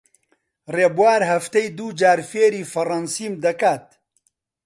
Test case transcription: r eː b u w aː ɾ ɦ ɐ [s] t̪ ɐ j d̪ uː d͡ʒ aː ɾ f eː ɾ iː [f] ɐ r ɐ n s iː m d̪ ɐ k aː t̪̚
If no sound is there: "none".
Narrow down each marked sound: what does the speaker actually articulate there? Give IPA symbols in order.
f, f

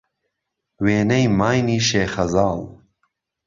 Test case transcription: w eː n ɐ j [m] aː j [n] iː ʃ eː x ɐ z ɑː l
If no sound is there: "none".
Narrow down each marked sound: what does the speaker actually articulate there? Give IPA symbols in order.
m, n

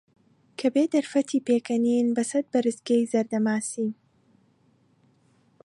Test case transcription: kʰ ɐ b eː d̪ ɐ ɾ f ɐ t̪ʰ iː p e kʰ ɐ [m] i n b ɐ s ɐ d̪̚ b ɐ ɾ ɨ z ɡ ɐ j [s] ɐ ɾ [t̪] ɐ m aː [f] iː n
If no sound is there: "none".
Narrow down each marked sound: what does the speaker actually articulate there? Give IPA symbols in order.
n, z, d̪, s

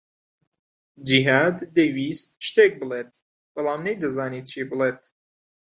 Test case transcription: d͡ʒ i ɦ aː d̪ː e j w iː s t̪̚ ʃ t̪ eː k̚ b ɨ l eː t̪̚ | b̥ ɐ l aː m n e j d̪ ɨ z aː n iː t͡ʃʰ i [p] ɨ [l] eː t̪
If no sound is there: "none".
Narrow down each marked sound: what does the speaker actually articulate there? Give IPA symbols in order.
b, l

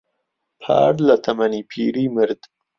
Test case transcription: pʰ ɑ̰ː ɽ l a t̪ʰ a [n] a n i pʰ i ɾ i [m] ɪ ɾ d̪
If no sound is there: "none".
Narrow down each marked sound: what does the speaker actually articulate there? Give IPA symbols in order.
m, m

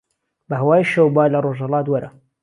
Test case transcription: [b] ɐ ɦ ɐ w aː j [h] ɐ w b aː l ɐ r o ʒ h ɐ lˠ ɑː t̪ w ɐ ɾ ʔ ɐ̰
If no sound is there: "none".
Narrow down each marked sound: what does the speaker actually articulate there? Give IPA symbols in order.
b, ʃ

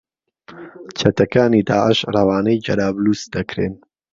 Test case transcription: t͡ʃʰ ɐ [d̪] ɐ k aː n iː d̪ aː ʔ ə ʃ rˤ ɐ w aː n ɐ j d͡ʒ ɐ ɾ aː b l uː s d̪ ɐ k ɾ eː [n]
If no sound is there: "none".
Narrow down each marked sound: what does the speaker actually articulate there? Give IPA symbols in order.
t̪, n

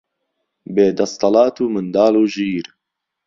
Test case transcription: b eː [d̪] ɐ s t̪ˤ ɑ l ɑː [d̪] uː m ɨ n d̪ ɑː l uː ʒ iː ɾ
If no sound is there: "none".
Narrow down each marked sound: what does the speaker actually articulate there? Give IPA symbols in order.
d̪, t̪

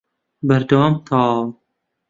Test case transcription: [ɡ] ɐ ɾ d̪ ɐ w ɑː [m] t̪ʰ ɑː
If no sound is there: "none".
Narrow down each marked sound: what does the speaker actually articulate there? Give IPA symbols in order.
b, m

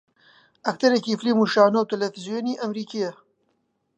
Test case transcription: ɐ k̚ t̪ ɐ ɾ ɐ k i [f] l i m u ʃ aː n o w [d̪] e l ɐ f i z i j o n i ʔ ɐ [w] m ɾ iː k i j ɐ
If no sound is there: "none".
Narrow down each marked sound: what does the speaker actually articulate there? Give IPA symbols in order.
f, t̪, none

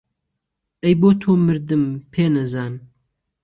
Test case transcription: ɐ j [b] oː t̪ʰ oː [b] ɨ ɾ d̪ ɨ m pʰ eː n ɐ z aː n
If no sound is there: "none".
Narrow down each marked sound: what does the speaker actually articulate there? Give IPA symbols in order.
b, m

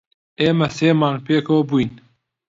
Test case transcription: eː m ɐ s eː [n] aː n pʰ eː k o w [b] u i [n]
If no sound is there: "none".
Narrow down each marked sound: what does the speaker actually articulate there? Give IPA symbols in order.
m, b, n

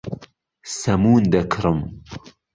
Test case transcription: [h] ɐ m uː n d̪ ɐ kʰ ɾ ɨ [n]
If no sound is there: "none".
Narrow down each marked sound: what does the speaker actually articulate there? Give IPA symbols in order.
s, m

